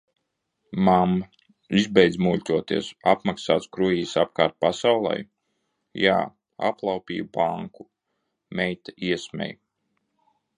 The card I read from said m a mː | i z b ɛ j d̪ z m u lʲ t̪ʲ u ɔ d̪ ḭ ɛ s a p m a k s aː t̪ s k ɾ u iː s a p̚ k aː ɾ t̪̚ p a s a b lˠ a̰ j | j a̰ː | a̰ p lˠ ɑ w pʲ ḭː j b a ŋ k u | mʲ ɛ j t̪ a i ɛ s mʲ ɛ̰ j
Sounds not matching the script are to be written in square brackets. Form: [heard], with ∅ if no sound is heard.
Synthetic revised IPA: m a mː | i z b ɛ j d̪ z m u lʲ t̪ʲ u ɔ [t̪] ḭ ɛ s a p m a k s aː t̪ s k ɾ u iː s a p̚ k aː ɾ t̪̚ p a s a [w] lˠ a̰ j | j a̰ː | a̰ p lˠ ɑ w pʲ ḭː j b a ŋ k u | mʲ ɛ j t̪ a i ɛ s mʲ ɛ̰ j